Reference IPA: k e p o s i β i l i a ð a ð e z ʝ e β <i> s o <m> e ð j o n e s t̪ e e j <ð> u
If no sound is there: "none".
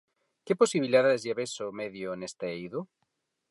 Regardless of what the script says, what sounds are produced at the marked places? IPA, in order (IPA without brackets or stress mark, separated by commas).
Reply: e, m, ð